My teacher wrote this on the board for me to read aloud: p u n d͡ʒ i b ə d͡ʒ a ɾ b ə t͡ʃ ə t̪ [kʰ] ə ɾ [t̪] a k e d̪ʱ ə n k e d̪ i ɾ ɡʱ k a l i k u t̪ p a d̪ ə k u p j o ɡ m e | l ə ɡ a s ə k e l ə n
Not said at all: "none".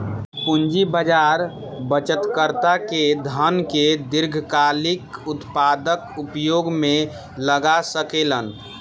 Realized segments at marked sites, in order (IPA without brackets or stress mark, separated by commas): k, t̪